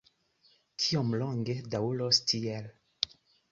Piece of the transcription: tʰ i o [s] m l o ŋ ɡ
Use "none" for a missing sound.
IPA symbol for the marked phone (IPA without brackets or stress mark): none